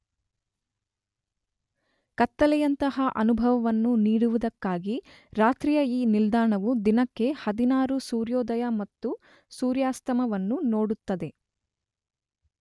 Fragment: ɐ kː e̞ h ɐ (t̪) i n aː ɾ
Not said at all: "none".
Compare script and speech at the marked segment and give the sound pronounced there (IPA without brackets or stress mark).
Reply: d̪